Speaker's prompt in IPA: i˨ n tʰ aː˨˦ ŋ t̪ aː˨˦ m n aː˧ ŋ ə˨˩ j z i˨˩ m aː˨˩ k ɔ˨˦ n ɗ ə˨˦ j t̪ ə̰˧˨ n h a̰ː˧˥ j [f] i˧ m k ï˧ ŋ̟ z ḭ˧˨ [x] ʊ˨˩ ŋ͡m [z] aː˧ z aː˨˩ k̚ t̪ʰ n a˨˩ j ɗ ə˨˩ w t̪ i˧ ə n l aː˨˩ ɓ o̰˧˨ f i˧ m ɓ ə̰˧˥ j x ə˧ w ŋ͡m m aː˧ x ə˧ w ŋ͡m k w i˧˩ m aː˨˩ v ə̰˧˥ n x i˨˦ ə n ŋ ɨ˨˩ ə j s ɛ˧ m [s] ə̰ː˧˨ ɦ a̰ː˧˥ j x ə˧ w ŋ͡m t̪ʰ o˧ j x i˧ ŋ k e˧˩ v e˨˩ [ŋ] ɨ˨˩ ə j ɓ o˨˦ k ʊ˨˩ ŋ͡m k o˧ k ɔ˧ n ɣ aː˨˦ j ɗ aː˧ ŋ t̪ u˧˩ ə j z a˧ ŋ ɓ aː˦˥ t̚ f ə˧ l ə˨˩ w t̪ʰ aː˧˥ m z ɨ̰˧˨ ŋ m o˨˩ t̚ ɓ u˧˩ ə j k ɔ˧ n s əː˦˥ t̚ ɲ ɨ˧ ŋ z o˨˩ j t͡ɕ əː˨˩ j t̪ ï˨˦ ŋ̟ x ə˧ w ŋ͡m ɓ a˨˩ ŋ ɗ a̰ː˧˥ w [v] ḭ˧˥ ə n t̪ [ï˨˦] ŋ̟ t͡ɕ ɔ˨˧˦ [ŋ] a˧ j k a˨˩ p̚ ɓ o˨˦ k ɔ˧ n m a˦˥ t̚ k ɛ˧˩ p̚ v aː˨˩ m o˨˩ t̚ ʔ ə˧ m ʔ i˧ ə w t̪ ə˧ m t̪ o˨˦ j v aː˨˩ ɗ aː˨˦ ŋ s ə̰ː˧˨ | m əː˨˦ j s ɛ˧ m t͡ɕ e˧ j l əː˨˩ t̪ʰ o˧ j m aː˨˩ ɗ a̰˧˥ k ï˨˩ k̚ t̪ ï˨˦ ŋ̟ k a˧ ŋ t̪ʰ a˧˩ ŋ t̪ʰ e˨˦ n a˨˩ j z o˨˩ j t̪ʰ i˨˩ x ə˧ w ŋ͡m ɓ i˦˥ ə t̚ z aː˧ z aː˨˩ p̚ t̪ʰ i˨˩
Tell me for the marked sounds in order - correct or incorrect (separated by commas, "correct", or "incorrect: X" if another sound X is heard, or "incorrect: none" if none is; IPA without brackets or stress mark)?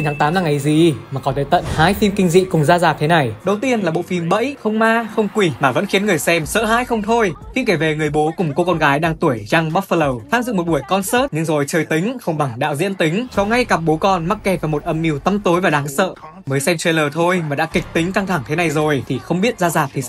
correct, incorrect: k, correct, correct, correct, incorrect: z, correct, correct